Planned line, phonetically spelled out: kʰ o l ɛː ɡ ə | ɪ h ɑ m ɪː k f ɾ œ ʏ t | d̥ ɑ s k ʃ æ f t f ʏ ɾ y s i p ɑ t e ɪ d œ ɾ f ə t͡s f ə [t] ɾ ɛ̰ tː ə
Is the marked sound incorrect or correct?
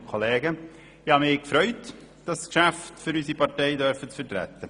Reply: correct